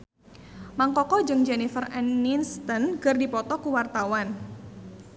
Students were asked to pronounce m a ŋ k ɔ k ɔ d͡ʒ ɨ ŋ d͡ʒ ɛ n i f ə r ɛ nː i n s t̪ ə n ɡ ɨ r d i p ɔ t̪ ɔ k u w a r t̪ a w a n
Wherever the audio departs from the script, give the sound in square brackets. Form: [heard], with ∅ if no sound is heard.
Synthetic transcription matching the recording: m a ŋ k ɔ k ɔ d͡ʒ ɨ ŋ d͡ʒ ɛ n i f ə r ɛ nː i n s t̪ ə n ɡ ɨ r d i p ɔ t̪ ɔ k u w a r t̪ a w a n

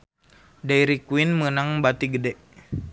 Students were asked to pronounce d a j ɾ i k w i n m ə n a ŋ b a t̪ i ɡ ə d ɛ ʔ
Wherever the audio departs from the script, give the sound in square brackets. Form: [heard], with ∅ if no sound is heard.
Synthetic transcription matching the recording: d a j ɾ i k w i n m ə n a ŋ b a t̪ i ɡ ə d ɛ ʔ

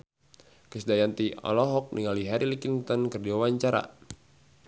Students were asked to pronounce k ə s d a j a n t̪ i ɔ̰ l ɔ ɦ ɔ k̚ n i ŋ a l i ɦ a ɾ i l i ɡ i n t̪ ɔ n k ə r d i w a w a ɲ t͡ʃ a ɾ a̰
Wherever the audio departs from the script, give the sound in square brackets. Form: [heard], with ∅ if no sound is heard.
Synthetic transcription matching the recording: k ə s d a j a n t̪ i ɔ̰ l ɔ ɦ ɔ k̚ n i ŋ a l i ɦ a ɾ i l i [k] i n t̪ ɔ n k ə r d i w a w a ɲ t͡ʃ a ɾ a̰

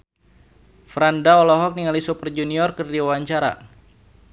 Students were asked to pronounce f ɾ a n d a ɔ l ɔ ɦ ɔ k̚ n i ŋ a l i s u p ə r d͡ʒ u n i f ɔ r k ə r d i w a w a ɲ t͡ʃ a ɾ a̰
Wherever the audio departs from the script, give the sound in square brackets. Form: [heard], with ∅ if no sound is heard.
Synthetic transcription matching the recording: f ɾ a n d a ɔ l ɔ ɦ ɔ k̚ n i ŋ a l i s u p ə r d͡ʒ u n i [∅] ɔ r k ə r d i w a w a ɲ t͡ʃ a ɾ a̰

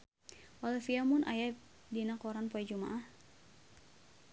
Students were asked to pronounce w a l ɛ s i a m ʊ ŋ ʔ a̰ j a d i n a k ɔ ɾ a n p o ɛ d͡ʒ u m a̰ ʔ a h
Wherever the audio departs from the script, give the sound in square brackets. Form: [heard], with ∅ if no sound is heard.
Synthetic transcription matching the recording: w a l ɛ [f] i a m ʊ [n] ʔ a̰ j a d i n a k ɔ ɾ a n p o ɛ d͡ʒ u m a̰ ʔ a h

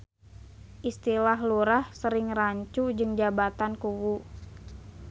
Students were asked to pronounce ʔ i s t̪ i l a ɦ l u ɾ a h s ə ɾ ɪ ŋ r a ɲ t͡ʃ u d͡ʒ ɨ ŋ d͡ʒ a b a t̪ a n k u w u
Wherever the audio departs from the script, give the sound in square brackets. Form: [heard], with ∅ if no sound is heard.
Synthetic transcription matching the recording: ʔ i s t̪ i l a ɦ l u ɾ a h s ə ɾ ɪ ŋ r a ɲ t͡ʃ u d͡ʒ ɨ ŋ d͡ʒ a b a t̪ a n k u w u

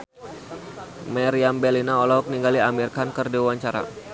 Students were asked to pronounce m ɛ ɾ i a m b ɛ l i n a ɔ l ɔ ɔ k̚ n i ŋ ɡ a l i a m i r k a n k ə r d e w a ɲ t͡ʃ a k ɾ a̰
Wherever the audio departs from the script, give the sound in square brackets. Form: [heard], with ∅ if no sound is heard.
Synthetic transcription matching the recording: m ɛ ɾ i a m b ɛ l i n a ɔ l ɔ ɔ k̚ n i ŋ ɡ a l i a m i r k a n k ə r d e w a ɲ t͡ʃ a [∅] ɾ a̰

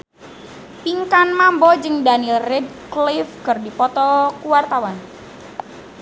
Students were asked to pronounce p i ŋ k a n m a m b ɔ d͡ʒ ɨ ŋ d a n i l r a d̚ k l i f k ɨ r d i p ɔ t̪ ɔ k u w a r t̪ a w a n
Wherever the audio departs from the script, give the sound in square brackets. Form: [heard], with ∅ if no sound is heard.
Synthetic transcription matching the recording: p i ŋ k a n m a m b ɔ d͡ʒ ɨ ŋ d a n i l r [ɛ] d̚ k l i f k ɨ r d i p ɔ t̪ ɔ k u w a r t̪ a w a n

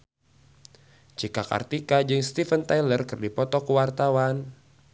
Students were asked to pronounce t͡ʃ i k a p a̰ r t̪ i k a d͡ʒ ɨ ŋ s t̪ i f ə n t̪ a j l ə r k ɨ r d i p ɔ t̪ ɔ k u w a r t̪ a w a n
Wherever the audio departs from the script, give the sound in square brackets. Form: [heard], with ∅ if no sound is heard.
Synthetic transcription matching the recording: t͡ʃ i k a [k] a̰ r t̪ i k a d͡ʒ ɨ ŋ s t̪ i f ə n t̪ a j l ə r k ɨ r d i p ɔ t̪ ɔ k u w a r t̪ a w a n

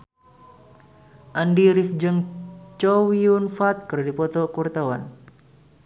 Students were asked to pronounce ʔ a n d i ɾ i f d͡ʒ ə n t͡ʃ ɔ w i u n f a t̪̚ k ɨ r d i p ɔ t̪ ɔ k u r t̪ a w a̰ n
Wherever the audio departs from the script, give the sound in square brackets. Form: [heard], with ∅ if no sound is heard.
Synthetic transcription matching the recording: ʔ a n d i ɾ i f d͡ʒ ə [ŋ] t͡ʃ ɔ w i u n f a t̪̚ k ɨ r d i p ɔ t̪ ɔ k u r t̪ a w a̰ n

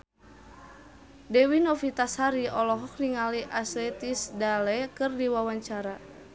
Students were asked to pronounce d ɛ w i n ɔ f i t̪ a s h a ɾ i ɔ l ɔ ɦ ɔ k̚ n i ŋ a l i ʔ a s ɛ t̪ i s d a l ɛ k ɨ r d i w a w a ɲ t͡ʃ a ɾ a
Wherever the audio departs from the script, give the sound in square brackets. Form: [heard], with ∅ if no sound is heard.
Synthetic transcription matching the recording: d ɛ w i n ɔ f i t̪ a s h a ɾ i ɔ l ɔ ɦ ɔ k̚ n i ŋ a l i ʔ a s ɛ t̪ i s d a l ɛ k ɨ r d i w a w a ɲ t͡ʃ a ɾ a

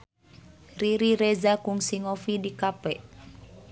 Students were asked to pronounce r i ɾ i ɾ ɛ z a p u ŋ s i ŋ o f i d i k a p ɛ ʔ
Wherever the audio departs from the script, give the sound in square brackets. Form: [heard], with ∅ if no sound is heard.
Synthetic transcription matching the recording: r i ɾ i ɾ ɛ z a [k] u ŋ s i ŋ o f i d i k a p ɛ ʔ

